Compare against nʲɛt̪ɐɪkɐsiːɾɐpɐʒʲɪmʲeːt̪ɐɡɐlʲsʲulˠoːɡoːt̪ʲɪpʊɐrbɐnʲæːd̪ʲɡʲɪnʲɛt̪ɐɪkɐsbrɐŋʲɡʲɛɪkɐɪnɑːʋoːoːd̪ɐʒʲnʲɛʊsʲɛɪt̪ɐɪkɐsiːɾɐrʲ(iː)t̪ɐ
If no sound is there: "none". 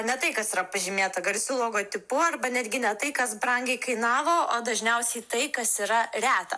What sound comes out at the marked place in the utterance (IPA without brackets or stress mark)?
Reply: æː